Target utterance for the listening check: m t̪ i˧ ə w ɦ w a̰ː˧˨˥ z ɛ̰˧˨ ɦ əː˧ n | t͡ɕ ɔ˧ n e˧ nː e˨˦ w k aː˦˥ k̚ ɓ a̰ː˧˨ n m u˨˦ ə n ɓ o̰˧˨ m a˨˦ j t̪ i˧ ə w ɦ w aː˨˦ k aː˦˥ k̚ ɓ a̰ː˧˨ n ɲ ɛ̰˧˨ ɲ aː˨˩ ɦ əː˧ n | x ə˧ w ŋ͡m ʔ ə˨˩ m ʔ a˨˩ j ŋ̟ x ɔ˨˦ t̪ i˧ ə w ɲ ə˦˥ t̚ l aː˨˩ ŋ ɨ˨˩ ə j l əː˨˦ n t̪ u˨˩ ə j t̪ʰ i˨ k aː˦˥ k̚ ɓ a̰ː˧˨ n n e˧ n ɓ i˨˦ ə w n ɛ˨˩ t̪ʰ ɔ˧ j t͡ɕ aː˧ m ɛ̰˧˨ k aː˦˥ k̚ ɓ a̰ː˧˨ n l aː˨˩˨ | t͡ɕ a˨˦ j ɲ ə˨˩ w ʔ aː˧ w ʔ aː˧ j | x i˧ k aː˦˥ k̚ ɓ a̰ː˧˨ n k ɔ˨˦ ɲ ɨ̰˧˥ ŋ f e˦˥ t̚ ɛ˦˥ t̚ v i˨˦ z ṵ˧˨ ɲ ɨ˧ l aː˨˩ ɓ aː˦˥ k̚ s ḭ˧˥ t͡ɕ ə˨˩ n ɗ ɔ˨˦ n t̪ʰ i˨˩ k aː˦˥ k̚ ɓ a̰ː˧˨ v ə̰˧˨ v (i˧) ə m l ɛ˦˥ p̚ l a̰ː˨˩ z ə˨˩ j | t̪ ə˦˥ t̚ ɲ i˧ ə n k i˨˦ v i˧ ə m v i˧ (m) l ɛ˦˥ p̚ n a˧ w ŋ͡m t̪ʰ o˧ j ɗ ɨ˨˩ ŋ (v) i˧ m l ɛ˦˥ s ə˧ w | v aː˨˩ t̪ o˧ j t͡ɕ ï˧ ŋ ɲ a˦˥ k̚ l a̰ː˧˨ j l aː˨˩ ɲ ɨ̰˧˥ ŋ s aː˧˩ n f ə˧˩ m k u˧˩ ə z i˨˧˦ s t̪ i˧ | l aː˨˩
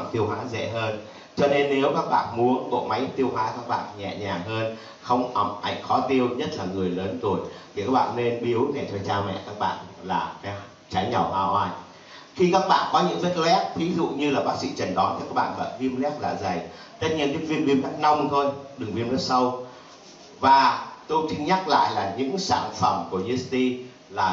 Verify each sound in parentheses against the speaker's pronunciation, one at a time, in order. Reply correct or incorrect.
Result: correct, correct, correct

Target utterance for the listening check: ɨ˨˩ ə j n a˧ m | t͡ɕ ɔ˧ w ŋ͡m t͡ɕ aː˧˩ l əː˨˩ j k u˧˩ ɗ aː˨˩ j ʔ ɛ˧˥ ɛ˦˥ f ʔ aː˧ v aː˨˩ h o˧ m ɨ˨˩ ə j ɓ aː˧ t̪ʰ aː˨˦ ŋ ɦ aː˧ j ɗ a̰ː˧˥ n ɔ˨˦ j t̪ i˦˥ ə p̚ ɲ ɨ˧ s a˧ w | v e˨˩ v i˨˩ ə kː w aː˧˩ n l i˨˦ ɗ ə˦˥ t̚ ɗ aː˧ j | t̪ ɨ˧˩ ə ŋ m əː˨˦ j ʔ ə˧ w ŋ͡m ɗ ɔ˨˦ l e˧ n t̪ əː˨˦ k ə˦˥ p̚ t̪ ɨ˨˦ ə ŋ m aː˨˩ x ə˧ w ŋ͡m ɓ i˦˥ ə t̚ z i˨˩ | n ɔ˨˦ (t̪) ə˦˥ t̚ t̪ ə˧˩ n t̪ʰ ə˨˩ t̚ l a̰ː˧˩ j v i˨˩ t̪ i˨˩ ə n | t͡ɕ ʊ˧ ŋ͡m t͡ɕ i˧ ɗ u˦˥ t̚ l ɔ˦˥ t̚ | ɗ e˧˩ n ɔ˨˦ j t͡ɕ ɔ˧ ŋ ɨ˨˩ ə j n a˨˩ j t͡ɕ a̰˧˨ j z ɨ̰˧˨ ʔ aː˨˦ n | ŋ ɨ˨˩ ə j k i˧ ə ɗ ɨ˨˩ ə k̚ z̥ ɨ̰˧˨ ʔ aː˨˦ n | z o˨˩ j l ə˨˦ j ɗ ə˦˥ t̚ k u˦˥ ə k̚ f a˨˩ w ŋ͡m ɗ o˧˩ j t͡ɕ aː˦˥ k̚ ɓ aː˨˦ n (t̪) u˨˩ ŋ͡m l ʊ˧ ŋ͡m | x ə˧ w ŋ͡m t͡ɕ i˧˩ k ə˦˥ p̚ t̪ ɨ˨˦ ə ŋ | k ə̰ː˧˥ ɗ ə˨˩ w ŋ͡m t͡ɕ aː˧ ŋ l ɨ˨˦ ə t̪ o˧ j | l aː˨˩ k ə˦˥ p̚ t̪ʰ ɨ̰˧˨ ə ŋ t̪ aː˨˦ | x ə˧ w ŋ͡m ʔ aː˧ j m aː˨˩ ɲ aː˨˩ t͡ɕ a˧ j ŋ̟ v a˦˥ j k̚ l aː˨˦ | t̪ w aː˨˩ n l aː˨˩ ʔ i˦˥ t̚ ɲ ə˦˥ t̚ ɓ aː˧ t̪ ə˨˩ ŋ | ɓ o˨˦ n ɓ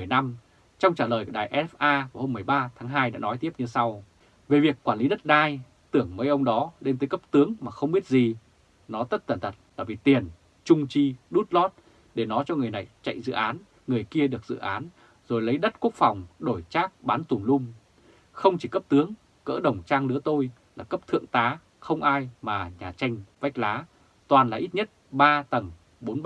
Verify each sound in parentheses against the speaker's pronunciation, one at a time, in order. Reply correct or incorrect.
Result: correct, correct

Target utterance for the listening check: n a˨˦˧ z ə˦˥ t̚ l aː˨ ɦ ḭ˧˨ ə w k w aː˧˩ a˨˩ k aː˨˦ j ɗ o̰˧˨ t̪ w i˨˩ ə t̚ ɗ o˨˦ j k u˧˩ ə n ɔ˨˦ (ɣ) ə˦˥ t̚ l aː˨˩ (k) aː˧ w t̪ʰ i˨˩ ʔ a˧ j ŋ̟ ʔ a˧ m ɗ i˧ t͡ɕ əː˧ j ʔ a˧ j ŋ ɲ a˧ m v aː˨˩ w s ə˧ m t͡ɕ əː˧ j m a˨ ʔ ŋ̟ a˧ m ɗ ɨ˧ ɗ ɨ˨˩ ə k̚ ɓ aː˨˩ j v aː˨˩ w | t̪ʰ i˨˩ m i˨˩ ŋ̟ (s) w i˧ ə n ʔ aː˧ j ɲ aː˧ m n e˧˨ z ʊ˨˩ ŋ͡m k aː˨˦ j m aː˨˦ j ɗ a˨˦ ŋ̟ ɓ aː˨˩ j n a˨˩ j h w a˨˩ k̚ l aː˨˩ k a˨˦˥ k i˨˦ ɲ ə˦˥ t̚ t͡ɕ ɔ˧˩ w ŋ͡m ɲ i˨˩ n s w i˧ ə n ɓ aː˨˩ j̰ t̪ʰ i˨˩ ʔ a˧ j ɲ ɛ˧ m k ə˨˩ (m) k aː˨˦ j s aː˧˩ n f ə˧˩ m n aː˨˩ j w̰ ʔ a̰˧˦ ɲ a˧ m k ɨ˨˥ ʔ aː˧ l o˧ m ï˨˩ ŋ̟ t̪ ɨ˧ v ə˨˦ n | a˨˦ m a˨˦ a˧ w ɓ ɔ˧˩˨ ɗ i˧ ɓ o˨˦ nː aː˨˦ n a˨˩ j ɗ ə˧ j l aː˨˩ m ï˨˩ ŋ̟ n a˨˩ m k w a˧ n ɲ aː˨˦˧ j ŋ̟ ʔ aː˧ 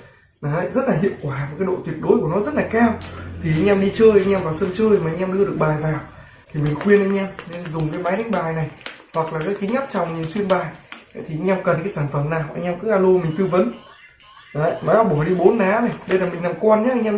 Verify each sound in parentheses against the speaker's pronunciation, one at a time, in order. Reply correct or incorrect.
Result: incorrect: z, correct, incorrect: x, incorrect: n

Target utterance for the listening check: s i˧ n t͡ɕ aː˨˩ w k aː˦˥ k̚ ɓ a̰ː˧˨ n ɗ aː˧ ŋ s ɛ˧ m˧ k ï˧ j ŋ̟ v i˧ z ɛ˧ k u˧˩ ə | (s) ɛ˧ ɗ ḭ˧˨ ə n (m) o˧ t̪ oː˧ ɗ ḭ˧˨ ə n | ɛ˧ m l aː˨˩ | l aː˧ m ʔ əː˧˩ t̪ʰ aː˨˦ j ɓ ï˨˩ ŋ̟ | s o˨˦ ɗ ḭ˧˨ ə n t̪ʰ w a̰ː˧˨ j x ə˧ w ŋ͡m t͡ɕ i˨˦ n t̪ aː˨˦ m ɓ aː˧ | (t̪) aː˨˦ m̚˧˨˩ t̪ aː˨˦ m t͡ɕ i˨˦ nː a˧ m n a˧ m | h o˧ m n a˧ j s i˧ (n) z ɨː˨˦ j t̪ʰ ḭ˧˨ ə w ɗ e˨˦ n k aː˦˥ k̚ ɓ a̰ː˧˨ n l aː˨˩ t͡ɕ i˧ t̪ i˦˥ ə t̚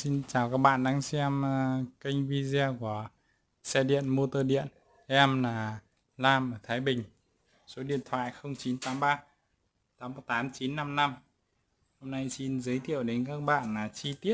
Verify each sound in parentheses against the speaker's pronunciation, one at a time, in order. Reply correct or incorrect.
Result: correct, correct, correct, correct

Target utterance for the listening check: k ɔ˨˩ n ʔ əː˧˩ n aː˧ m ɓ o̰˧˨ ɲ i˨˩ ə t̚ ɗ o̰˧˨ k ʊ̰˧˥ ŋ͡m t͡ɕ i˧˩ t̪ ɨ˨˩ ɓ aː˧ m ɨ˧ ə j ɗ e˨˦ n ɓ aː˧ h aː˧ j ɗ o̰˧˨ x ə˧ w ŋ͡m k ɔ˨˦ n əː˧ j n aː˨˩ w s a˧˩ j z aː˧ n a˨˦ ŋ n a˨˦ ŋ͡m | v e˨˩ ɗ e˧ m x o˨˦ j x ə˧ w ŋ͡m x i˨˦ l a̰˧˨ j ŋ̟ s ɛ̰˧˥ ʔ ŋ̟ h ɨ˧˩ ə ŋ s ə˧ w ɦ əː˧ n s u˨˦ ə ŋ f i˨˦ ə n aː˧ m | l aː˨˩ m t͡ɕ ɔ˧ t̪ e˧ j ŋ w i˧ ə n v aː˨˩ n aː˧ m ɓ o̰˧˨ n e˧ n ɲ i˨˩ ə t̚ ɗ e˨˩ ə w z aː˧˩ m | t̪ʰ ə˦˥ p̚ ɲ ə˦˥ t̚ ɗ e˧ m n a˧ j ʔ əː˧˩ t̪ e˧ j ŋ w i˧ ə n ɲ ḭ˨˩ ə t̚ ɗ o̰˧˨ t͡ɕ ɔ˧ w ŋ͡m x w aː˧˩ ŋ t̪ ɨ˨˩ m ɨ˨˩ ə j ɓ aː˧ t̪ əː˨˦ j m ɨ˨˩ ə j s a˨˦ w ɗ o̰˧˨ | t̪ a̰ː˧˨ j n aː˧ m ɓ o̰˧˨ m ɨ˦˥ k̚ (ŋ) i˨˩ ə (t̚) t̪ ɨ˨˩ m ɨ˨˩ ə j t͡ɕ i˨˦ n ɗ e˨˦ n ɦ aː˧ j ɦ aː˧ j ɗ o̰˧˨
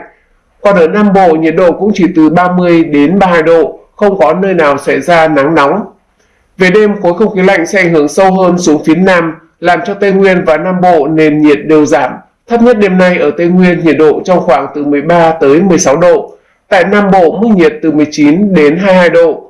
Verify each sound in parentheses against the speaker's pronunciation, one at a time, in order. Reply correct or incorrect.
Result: incorrect: ɲ, correct

